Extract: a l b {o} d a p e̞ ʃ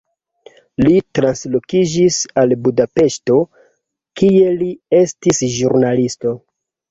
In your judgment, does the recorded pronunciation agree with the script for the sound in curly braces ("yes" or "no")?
no